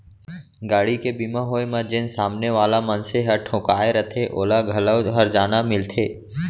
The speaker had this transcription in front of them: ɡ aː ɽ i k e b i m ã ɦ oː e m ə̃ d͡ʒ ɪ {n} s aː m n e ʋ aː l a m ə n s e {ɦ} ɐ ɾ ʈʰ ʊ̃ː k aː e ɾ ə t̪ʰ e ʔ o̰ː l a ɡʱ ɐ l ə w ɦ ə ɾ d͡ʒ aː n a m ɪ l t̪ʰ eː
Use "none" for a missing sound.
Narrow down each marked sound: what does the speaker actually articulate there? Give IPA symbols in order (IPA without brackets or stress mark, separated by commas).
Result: n, ɦ